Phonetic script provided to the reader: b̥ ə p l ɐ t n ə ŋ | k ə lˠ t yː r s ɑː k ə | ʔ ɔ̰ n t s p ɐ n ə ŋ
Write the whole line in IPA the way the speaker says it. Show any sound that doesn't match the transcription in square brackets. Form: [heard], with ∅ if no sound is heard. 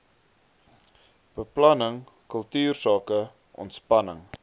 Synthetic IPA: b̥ ə p l ɐ [∅] n ə ŋ | k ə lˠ t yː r s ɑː k ə | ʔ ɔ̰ n t s p ɐ n ə ŋ